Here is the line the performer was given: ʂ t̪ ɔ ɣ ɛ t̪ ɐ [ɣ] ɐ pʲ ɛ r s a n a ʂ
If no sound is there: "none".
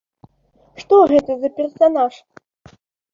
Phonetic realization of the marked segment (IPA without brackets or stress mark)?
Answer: z